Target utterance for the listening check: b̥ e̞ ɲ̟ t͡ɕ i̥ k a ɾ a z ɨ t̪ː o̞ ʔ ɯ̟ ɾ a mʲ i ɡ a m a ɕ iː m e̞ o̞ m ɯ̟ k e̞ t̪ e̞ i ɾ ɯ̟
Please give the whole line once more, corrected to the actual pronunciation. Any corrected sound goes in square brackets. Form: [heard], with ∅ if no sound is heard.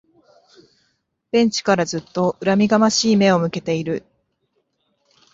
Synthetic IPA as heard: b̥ [ẽ̞] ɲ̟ t͡ɕ i̥ k a ɾ a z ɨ t̪ː o̞ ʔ ɯ̟ ɾ a mʲ i ɡ a m a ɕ iː m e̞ o̞ m ɯ̟ k e̞ t̪ e̞ i ɾ ɯ̟